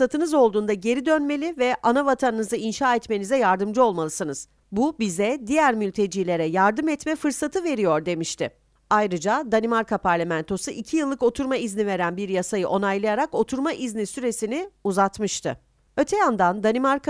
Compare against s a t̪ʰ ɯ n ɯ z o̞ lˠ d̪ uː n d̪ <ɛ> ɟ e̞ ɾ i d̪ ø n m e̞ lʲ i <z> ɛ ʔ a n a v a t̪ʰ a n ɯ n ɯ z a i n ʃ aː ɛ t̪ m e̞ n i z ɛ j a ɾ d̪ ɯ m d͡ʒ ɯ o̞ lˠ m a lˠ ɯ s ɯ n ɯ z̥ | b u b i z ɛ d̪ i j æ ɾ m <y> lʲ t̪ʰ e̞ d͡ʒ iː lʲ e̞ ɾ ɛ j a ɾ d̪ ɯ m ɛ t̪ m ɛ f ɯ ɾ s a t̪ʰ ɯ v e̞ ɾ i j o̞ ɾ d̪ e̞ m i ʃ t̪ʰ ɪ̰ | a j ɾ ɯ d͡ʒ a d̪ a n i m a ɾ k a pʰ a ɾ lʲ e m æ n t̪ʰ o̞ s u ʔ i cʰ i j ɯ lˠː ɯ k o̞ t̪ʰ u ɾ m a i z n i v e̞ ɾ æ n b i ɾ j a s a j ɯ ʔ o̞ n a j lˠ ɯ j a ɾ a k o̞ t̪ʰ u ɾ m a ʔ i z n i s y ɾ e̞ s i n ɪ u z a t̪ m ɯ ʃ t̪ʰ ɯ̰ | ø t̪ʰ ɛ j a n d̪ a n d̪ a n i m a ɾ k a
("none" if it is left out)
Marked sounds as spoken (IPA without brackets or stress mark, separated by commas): a, v, y